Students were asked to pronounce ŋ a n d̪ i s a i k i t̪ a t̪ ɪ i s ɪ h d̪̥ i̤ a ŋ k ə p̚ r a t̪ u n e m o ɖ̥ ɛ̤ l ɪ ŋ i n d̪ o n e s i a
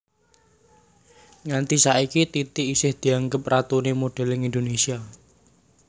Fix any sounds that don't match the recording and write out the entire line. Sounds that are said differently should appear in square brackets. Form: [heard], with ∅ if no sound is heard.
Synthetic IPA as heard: ŋ a n [t̪] i s a i k i t̪ [i] t̪ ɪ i s ɪ h d̪̥ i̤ a ŋ [ɡ] ə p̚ r a t̪ u n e m o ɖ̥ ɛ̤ l ɪ ŋ i n d̪ o n e s i a